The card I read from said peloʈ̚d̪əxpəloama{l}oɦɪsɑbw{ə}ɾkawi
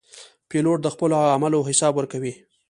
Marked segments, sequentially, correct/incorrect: correct, correct

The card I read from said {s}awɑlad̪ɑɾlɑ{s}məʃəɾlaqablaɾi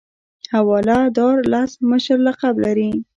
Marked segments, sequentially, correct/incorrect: incorrect: h, correct

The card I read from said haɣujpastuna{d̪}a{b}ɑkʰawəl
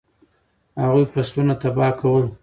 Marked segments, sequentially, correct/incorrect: incorrect: t̪, correct

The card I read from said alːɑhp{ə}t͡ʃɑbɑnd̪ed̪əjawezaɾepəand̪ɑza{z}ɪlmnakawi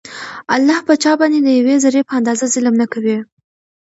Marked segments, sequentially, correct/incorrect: correct, correct

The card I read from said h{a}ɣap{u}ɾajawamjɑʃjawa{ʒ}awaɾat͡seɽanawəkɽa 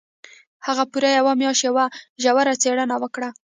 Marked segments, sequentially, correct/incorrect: correct, correct, correct

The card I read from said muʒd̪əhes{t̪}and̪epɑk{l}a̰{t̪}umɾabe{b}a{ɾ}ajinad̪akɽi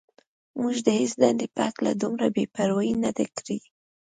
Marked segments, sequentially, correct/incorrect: incorrect: d̪, correct, incorrect: d̪, incorrect: p, correct

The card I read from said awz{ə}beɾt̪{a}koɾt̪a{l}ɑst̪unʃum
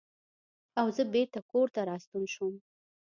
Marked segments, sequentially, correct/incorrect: correct, correct, incorrect: ɾ

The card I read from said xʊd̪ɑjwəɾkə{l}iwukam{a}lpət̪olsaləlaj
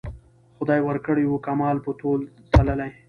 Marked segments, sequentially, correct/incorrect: incorrect: ɽ, incorrect: ɑ

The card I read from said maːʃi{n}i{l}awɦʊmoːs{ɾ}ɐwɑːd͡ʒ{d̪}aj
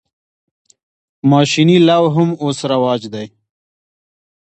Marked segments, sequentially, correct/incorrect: correct, correct, correct, correct

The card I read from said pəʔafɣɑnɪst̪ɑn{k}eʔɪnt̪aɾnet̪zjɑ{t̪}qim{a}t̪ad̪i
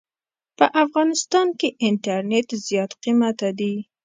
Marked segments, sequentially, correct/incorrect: correct, correct, correct

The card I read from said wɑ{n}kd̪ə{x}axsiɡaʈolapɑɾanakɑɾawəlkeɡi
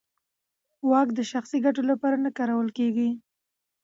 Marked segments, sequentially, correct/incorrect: incorrect: none, incorrect: ʃ

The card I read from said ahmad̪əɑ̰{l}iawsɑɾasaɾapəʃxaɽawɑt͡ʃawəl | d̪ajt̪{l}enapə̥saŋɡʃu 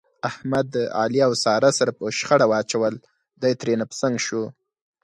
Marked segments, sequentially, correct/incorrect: correct, incorrect: ɾ

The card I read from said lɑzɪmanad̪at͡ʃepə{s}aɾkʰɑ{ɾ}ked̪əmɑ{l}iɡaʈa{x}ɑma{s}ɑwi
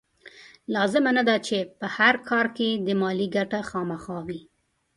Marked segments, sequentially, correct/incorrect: incorrect: h, correct, correct, correct, incorrect: x

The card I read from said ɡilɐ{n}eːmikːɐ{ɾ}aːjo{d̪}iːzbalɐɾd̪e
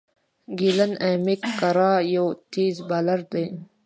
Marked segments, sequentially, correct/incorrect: correct, correct, incorrect: t̪

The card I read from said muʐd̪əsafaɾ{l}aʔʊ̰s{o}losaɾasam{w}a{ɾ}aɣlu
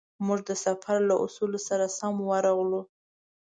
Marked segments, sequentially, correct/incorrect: correct, incorrect: u, correct, correct

